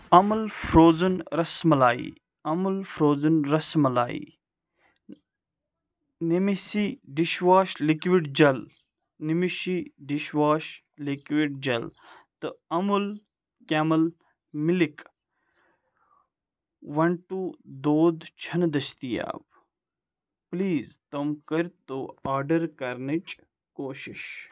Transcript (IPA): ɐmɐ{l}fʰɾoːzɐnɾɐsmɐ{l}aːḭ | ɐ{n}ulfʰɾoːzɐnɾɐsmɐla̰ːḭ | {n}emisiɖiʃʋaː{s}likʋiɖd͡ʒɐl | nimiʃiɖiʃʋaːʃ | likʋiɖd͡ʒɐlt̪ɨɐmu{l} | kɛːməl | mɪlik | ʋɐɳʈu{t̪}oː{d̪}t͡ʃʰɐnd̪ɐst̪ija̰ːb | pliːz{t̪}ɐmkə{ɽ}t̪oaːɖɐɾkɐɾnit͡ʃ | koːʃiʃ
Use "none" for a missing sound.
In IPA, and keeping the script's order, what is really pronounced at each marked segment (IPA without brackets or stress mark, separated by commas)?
l, l, m, n, ʃ, l, d̪, d̪, t̪, ɾ